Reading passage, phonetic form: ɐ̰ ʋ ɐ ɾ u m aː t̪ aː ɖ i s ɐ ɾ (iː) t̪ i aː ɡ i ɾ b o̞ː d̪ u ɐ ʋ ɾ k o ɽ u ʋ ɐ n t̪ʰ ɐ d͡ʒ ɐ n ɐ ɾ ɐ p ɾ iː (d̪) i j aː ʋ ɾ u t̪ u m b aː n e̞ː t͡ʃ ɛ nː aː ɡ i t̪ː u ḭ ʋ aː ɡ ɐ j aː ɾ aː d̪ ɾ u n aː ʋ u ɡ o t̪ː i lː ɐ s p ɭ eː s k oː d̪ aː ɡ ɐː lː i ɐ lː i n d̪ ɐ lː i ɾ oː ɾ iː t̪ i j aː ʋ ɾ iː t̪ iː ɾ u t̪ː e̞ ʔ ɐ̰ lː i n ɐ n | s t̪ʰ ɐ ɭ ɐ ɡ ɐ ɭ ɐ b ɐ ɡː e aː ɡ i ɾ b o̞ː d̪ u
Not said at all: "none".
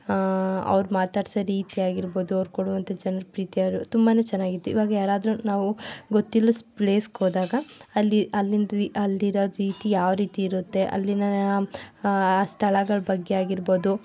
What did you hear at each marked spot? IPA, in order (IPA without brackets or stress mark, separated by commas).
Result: iː, t̪